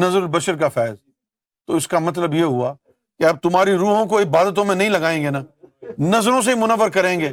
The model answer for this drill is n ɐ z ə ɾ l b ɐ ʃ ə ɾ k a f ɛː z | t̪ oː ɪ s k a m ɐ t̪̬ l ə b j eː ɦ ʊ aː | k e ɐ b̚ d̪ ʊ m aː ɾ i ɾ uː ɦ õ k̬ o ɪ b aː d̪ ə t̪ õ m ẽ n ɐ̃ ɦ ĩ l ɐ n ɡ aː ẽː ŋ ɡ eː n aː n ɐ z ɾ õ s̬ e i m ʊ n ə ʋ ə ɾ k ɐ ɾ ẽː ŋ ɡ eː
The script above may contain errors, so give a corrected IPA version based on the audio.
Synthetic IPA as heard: n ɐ z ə ɾ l b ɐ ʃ ə ɾ k a f ɛː z | t̪ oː ɪ s k a m ɐ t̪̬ l ə b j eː ɦ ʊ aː | k e ɐ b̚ t̪ ʊ m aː ɾ i ɾ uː ɦ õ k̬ o ɪ b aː d̪ ə t̪ õ m ẽ n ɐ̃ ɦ ĩ l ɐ ɡ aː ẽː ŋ ɡ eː n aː n ɐ z ɾ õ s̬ e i m ʊ n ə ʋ ə ɾ k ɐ ɾ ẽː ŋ ɡ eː